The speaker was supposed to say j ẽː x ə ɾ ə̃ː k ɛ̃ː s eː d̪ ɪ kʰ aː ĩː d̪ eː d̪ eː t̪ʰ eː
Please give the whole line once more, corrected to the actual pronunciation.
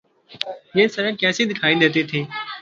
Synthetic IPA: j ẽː s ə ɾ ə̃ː k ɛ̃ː s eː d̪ ɪ kʰ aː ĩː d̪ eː t̪ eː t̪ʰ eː